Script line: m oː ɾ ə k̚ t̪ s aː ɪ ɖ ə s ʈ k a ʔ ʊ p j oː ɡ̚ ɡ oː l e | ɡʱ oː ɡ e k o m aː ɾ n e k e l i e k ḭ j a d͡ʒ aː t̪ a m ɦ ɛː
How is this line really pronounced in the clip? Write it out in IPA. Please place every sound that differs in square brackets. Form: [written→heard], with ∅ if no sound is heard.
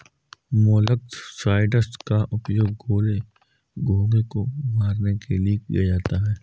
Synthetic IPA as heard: m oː [ɾ→l] ə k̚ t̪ s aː ɪ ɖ ə s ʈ k a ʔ ʊ p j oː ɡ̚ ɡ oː l e | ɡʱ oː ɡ e k o m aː ɾ n e k e l i e k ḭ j a d͡ʒ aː t̪ a [m→∅] ɦ ɛː